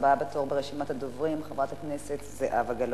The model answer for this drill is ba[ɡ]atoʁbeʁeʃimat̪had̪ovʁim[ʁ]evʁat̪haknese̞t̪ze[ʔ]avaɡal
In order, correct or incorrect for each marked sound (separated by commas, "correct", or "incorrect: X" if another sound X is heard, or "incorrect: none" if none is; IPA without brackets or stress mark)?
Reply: incorrect: b, incorrect: χ, correct